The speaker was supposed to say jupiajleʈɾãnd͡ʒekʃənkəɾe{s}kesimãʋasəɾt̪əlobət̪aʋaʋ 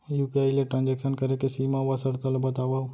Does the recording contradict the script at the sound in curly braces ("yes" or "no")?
yes